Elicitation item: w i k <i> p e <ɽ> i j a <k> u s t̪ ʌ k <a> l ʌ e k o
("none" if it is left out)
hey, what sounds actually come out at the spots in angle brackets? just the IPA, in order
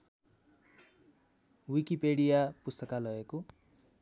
i, ɽ, p, a

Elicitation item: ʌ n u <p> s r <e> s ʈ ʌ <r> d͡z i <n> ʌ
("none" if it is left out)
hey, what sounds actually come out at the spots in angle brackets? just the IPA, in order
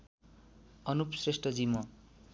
p, e, none, m

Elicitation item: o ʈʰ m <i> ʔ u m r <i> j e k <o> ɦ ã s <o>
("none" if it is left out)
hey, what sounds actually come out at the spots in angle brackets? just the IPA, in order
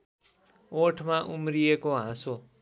a, i, o, o

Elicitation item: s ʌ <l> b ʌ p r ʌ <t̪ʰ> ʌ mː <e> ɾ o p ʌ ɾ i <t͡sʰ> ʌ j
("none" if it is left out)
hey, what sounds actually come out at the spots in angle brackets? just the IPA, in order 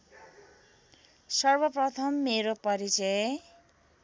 r, t̪ʰ, e, t͡s

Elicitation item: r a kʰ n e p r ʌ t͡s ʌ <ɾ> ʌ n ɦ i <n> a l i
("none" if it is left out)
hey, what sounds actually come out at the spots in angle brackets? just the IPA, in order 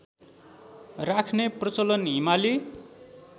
l, m

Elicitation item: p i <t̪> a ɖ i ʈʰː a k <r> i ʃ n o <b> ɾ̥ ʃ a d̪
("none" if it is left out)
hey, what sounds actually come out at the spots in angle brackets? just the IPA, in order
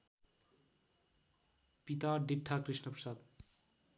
t̪, ɾ, p

